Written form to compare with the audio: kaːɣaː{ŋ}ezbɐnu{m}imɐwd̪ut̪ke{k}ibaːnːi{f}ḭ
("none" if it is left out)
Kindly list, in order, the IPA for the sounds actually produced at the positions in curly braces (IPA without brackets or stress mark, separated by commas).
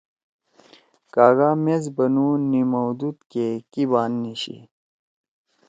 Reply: m, n, k, ɕ